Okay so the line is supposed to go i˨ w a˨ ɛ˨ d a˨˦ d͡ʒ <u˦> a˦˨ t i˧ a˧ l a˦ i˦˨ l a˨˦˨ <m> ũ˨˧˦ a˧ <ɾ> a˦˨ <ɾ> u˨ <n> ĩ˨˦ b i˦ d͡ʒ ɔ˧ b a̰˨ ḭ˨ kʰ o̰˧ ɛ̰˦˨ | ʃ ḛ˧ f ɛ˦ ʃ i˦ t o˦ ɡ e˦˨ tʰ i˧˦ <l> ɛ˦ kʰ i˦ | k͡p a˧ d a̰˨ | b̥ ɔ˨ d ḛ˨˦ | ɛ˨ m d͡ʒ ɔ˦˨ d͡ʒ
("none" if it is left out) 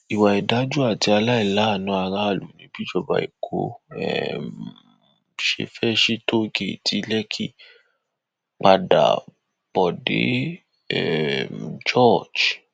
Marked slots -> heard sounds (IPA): u˦, n, ɾ, l, n, l

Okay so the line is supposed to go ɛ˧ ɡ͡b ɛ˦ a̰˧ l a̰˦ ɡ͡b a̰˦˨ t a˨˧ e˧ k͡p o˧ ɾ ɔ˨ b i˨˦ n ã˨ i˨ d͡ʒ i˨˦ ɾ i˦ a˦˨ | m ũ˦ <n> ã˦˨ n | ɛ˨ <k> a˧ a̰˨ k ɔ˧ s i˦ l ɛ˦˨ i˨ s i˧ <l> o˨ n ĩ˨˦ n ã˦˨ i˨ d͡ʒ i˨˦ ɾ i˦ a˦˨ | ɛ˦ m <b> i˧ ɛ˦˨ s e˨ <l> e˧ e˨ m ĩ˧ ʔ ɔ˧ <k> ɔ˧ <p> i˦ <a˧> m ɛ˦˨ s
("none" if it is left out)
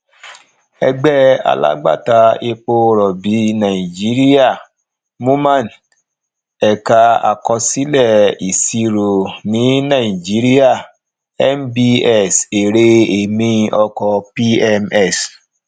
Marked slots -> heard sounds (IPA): m, k, ɾ, b, ɾ, k, p, ɛ˧

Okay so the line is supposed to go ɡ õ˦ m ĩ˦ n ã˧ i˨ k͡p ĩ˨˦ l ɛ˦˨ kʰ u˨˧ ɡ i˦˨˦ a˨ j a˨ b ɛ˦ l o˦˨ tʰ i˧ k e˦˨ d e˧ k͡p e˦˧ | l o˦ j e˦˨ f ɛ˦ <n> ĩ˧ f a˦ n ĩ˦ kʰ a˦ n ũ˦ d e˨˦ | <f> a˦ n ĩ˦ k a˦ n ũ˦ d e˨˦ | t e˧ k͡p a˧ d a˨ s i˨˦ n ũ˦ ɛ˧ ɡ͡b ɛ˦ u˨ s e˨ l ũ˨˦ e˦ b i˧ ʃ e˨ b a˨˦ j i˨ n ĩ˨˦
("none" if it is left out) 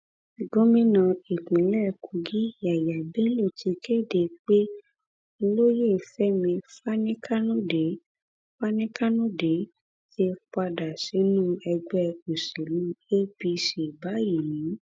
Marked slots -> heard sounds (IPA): m, f

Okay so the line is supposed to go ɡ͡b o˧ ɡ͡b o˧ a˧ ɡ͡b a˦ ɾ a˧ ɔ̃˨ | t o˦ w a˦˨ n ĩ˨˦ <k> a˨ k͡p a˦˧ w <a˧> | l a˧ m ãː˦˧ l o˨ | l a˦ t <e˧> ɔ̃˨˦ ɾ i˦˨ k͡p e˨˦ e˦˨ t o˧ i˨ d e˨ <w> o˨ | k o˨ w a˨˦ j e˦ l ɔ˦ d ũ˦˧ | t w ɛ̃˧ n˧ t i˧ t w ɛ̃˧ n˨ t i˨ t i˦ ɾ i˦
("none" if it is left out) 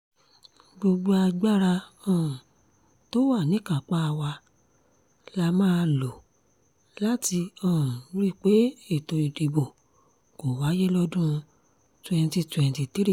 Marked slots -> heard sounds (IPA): k, a˧, i˧, b

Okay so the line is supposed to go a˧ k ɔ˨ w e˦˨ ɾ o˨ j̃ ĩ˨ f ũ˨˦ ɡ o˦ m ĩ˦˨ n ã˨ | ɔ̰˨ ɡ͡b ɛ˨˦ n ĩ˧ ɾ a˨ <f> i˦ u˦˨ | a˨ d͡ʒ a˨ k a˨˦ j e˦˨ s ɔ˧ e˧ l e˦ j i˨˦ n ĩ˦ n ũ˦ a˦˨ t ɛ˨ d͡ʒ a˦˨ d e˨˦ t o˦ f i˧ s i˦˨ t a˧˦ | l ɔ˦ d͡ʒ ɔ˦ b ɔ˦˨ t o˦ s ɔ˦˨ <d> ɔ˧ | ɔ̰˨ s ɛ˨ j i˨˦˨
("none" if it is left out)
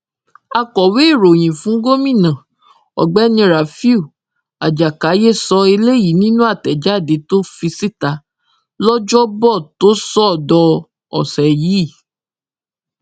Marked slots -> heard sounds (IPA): f, d

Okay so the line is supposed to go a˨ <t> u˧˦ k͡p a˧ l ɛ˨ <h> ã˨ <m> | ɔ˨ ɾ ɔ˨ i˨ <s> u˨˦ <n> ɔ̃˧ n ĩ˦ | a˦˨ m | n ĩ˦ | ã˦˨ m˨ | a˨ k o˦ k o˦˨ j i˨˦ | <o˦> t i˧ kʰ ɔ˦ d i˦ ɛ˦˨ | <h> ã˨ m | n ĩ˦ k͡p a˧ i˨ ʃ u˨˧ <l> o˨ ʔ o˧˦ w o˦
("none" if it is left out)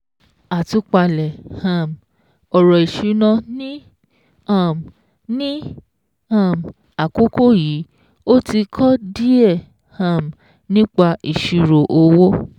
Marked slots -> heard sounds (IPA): t, h, m, ʃ, n, o˦, h, ɾ

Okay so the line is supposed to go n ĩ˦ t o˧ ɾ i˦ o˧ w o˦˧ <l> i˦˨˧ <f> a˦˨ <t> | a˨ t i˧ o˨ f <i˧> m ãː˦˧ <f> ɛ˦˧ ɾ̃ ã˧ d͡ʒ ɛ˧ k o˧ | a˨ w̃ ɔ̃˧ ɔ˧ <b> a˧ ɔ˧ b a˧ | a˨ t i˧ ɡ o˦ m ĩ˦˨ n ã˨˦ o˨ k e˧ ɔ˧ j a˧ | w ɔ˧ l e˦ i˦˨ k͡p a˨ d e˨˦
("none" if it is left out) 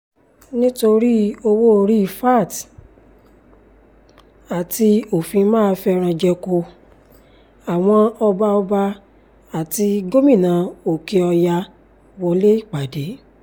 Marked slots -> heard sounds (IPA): ɾ, f, t, ĩ˧, f, b

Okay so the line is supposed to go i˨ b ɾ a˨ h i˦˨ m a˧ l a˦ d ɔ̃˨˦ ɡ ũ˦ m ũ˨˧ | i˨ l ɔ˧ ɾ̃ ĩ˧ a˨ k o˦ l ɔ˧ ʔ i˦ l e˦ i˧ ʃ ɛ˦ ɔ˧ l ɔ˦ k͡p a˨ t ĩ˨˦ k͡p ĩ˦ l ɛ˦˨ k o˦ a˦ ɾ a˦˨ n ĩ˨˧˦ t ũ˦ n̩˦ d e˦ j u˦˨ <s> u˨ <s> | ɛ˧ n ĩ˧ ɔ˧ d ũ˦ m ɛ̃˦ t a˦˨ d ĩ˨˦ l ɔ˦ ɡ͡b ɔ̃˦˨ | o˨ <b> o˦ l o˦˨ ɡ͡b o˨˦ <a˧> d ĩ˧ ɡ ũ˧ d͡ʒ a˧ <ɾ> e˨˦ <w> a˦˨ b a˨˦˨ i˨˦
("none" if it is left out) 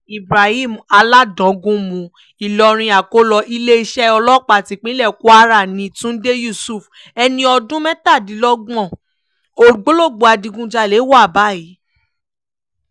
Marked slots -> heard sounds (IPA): s, f, ɡ͡b, a˧, l, w

